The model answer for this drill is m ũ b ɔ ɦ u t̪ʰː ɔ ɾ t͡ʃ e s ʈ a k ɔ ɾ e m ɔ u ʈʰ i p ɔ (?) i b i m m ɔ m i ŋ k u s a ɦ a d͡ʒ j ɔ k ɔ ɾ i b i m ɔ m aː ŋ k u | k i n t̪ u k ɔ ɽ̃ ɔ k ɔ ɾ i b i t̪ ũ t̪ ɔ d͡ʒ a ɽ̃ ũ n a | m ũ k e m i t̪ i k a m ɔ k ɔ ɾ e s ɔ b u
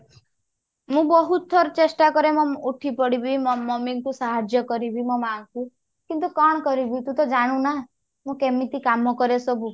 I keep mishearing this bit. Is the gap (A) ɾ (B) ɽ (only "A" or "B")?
B